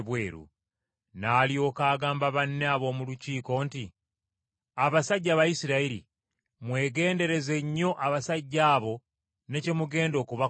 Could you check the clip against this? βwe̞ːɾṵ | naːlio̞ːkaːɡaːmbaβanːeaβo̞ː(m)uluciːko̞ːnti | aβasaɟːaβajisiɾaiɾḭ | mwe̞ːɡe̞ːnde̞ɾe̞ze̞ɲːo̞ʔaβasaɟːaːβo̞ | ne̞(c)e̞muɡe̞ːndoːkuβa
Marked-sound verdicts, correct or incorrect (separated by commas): correct, correct